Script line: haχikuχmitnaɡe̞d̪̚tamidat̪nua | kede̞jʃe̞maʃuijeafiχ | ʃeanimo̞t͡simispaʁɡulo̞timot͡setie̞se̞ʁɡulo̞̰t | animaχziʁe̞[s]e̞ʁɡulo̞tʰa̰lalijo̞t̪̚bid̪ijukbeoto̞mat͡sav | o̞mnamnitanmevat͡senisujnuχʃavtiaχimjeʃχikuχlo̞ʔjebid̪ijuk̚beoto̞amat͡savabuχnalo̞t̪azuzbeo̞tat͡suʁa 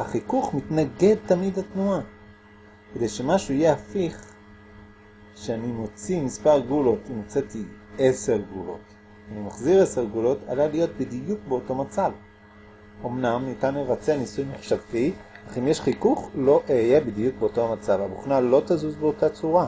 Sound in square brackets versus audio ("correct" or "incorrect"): correct